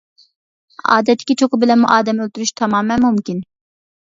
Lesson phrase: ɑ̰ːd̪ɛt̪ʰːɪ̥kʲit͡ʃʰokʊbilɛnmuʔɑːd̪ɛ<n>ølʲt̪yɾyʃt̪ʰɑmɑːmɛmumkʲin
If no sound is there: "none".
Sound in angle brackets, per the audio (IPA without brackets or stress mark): m